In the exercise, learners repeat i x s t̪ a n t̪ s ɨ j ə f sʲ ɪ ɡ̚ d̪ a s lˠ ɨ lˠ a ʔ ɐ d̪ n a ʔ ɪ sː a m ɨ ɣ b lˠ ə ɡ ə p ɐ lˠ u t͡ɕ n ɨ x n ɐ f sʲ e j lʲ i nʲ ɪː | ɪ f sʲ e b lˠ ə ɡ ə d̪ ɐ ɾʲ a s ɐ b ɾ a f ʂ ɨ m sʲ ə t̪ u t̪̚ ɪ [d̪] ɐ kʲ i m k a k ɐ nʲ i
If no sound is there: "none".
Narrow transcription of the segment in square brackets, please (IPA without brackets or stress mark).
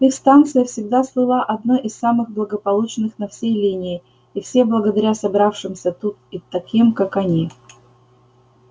t̪